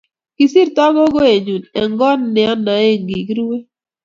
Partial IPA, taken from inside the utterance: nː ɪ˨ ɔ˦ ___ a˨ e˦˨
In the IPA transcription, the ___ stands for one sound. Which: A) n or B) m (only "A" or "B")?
A